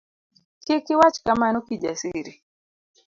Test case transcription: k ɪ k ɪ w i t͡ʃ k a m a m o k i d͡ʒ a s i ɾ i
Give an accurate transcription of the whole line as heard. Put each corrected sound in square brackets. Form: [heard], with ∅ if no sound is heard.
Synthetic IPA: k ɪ k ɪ w [a] t͡ʃ k a m a [n] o k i d͡ʒ a s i ɾ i